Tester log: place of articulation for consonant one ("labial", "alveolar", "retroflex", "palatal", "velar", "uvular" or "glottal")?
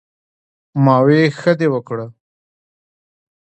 labial